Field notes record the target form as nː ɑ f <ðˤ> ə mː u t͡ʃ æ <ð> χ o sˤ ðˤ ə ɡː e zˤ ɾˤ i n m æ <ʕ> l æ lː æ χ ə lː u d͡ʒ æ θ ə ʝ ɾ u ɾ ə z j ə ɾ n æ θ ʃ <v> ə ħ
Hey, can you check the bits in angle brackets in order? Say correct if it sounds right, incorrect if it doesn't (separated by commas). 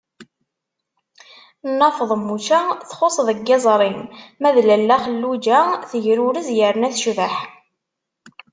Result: correct, incorrect, incorrect, correct